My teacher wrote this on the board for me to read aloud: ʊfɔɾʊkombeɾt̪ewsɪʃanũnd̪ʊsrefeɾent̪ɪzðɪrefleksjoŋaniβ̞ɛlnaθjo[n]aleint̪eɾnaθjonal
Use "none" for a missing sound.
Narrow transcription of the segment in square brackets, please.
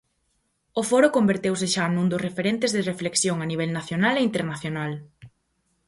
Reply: n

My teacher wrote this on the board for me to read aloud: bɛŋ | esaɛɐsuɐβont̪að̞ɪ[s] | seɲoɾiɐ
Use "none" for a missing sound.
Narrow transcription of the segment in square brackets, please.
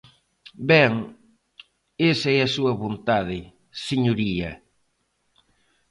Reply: none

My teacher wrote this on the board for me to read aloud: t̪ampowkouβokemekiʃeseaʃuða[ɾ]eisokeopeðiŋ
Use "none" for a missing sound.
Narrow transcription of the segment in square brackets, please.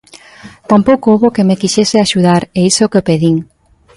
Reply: ɾ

